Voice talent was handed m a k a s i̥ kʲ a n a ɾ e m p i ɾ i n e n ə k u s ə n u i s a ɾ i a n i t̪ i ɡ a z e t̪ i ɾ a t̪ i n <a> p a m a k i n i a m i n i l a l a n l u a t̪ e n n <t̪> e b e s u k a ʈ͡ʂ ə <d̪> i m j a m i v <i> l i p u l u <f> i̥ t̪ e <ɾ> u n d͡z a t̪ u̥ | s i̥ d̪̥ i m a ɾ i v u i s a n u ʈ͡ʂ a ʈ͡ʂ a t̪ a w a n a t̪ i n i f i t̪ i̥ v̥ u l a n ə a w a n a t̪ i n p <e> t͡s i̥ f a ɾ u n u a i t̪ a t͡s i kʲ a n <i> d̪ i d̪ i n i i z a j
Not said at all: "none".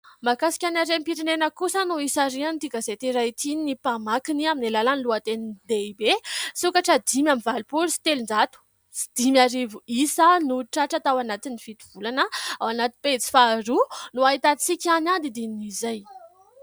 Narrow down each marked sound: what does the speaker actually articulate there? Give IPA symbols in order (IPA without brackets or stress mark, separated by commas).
i, d̪, d̪, a, s, l, e, a